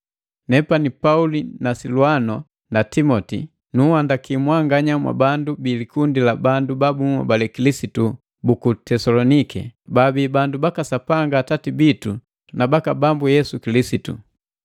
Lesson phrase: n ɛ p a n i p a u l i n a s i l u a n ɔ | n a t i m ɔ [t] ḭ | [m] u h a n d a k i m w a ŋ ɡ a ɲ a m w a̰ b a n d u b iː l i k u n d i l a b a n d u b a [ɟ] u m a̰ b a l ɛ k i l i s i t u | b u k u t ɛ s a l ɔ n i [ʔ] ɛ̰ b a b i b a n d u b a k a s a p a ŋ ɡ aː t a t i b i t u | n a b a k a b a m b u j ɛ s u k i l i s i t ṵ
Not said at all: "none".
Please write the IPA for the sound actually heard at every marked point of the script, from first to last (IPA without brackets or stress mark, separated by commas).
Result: t, n, b, k